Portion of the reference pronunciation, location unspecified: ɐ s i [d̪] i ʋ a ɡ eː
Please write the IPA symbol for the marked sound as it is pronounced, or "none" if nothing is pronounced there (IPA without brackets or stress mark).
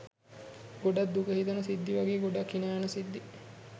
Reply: d̪ː